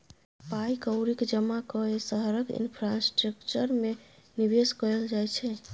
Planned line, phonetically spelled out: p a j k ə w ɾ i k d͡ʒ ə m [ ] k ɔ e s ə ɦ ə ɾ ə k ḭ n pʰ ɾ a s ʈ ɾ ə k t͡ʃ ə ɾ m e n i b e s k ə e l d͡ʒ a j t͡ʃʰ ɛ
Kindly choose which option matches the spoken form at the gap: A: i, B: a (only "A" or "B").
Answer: B